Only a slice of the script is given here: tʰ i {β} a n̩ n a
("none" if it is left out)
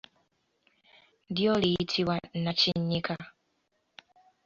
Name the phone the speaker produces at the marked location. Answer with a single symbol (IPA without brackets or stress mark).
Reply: w